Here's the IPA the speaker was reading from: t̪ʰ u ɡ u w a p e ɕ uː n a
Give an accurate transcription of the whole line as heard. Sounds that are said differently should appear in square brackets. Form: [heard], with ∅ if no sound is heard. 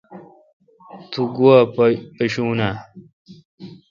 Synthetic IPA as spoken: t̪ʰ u ɡ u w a p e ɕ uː n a